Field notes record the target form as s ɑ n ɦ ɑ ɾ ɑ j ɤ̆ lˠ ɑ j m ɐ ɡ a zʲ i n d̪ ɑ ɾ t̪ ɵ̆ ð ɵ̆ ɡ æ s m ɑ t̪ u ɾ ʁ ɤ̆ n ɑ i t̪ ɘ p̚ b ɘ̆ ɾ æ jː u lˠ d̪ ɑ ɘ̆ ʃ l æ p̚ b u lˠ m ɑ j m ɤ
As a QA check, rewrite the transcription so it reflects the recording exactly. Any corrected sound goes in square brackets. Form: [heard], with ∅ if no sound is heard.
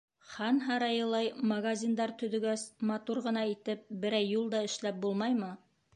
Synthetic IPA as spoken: [χ] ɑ n ɦ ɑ ɾ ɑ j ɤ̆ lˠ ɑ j m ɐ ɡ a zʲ i n d̪ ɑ ɾ t̪ ɵ̆ ð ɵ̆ ɡ æ s m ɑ t̪ u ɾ ʁ ɤ̆ n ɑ i t̪ ɘ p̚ b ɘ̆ ɾ æ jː u lˠ d̪ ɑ ɘ̆ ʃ l æ p̚ b u lˠ m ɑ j m ɤ